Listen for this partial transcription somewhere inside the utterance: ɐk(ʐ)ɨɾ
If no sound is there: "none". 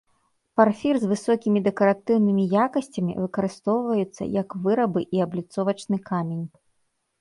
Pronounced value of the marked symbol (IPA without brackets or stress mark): v